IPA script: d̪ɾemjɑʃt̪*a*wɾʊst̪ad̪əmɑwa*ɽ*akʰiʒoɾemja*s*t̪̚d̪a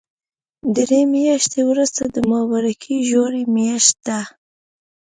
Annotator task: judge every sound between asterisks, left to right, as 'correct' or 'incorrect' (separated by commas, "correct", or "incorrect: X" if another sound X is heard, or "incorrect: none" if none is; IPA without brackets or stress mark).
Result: incorrect: e, incorrect: ɾ, incorrect: ʃ